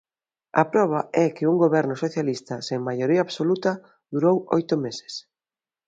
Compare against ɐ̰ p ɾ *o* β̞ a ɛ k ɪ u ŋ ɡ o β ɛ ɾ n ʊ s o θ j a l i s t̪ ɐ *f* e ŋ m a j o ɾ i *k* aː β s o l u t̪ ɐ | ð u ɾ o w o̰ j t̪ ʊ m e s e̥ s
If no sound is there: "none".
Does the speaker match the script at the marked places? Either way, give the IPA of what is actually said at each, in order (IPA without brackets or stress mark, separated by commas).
ɔ, s, none